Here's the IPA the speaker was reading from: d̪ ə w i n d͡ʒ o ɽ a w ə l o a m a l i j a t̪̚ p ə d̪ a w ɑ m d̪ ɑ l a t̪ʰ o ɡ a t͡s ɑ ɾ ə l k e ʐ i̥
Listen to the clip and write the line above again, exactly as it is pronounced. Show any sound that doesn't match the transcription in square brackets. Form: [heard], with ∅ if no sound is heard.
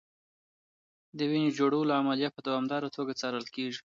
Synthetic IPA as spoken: d̪ ə w i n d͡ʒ o ɽ a w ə l o a m a l i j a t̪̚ p ə d̪ a w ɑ m d̪ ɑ [ɾ] a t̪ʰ o ɡ a t͡s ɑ ɾ ə l k e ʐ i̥